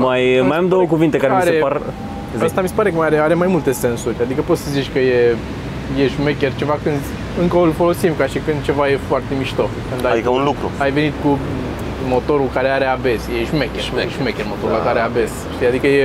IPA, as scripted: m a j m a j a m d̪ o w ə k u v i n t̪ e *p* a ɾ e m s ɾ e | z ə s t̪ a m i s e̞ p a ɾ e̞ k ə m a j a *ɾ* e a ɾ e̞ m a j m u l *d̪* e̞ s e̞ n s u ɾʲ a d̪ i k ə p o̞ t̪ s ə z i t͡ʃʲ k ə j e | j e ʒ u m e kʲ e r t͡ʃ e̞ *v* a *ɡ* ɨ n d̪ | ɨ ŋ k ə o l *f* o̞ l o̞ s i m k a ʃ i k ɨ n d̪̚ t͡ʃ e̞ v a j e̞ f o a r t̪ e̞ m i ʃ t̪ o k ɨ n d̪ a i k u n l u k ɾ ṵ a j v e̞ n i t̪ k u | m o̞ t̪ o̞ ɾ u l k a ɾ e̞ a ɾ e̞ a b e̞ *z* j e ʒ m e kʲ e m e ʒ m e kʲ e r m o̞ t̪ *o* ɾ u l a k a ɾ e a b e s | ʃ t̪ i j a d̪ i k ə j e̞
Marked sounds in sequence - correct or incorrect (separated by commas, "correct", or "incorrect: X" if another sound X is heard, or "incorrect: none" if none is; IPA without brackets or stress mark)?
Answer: incorrect: k, correct, incorrect: t̪, correct, incorrect: k, correct, incorrect: s, correct